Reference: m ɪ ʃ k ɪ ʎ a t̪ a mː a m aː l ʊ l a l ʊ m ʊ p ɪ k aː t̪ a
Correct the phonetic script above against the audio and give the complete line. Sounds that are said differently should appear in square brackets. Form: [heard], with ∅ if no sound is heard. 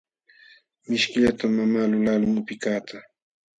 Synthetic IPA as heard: m ɪ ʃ k ɪ ʎ a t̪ a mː a m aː l ʊ l a l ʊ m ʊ p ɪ k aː t̪ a